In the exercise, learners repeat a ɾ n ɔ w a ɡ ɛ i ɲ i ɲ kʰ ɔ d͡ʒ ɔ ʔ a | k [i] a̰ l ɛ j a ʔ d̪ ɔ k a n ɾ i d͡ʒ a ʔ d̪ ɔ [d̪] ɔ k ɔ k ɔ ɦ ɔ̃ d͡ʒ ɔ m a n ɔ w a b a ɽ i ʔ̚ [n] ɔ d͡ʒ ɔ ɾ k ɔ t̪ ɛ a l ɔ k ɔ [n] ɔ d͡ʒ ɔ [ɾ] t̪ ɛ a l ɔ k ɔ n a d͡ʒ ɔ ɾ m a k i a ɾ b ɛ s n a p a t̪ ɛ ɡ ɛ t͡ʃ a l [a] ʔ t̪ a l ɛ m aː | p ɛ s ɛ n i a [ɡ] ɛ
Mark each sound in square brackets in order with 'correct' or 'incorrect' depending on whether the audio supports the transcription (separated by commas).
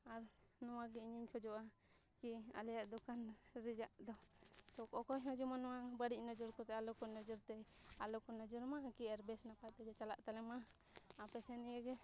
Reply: correct, incorrect, correct, correct, correct, correct, correct